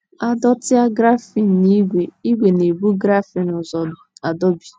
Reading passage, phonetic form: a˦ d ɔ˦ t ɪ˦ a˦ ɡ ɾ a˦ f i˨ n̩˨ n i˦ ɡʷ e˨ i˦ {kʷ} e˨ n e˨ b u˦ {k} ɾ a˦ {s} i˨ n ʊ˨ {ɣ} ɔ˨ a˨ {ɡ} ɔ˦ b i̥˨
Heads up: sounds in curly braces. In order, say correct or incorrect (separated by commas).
incorrect, incorrect, incorrect, incorrect, incorrect